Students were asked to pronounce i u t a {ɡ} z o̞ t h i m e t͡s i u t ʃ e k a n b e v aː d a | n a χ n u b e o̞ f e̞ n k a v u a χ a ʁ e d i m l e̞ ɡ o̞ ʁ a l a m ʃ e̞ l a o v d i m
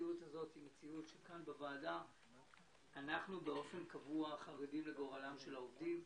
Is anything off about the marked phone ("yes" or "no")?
yes